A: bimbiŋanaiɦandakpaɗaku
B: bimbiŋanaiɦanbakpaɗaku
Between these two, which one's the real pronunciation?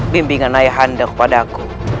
A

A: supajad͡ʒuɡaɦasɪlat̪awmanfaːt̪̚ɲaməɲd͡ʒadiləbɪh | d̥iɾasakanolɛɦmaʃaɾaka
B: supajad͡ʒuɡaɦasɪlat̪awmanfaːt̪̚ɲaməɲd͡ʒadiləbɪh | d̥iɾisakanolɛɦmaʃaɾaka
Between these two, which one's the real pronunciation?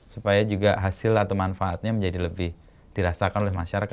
A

